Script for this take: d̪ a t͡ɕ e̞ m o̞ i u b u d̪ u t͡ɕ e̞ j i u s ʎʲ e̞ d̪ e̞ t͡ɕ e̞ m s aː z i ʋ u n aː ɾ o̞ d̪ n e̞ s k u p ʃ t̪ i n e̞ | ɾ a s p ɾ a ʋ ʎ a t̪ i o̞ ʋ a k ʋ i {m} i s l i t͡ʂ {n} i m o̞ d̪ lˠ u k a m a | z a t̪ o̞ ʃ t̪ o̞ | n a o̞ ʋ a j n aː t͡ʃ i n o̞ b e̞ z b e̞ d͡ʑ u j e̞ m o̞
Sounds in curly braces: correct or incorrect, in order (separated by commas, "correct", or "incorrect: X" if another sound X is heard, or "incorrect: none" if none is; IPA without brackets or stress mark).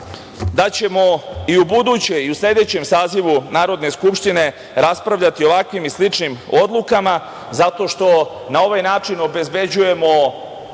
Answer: correct, correct